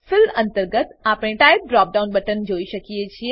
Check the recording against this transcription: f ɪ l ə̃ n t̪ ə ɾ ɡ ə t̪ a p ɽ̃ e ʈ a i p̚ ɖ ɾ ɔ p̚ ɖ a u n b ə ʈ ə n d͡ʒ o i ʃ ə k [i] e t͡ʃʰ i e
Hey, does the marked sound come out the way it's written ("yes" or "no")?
yes